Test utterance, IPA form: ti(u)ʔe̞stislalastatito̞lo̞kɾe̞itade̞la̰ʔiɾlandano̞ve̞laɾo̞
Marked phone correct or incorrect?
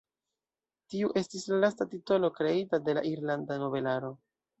correct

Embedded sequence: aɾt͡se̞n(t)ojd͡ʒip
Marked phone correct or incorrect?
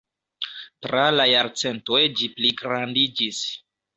correct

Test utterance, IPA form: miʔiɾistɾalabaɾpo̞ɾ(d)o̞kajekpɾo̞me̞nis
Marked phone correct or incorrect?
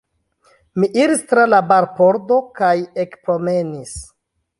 correct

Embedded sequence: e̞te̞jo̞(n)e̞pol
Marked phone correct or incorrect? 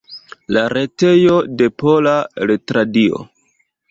incorrect: d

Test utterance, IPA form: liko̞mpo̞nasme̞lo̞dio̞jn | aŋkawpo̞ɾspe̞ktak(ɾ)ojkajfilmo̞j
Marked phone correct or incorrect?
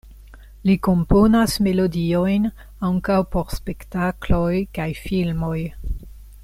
incorrect: l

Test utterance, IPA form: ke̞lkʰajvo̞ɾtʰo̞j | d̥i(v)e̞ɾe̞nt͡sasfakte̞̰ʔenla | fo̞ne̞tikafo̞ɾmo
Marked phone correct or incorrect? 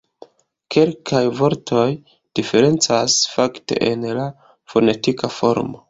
incorrect: f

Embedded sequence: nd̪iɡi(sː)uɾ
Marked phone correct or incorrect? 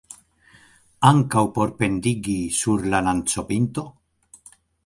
incorrect: s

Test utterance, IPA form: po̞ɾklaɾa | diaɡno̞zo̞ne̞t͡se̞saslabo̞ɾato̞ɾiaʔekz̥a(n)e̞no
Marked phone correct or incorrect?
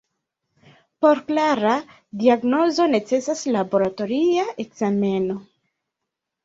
incorrect: m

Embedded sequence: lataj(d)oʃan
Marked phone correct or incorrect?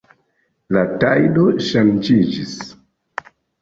correct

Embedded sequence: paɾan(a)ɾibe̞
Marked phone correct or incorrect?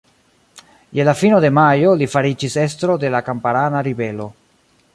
correct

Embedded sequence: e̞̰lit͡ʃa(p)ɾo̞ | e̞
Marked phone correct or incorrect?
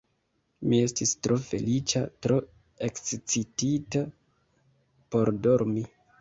incorrect: t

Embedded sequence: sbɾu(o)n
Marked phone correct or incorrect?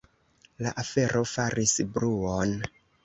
correct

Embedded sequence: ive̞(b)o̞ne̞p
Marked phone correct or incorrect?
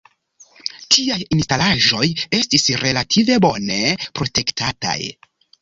correct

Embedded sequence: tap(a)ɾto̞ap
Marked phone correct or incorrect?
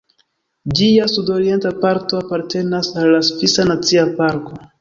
correct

